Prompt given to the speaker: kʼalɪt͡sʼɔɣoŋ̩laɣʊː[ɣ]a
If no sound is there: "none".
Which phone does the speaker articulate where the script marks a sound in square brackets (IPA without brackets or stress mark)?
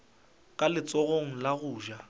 ʒ